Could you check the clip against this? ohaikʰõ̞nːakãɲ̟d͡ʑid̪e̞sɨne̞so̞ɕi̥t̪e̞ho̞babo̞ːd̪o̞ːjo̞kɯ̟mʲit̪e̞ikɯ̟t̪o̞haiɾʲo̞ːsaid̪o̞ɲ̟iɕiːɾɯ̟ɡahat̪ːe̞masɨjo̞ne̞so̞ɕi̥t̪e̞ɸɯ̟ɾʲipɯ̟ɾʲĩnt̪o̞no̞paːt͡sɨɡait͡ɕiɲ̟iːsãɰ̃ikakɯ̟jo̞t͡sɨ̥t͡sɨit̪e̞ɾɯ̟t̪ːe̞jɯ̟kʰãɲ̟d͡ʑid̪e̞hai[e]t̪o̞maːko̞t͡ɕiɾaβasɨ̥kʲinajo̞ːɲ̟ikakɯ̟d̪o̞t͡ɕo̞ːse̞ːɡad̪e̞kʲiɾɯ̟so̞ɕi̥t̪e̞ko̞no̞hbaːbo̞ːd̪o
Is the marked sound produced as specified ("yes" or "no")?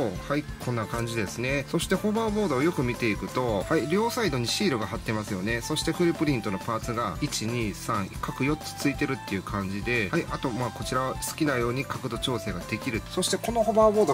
no